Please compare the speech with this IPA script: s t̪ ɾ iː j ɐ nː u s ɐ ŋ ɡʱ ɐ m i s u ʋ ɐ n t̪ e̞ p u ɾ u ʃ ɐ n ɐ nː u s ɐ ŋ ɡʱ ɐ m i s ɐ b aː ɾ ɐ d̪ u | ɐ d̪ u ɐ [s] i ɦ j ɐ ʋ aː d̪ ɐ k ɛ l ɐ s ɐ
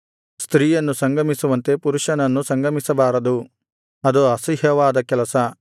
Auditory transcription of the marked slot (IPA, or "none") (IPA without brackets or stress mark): s